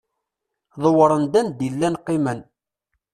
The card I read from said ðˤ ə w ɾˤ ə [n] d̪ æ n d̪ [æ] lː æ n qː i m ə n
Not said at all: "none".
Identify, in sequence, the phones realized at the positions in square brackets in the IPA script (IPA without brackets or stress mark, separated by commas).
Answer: n, i